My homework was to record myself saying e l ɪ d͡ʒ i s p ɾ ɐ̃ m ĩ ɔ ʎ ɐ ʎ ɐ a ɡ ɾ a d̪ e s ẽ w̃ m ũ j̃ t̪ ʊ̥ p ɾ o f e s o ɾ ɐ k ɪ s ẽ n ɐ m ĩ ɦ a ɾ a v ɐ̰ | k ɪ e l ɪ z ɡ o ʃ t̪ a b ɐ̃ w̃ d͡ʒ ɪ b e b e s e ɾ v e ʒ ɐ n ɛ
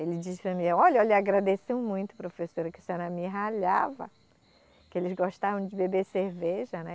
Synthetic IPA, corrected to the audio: e l ɪ d͡ʒ i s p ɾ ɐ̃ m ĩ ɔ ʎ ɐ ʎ ɐ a ɡ ɾ a d̪ e s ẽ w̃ m ũ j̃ t̪ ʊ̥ p ɾ o f e s o ɾ ɐ k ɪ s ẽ n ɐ m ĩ ɦ a ʎ a v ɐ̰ | k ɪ e l ɪ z ɡ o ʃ t̪ a v ɐ̃ w̃ d͡ʒ ɪ b e b e s e ɾ v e ʒ ɐ n ɛ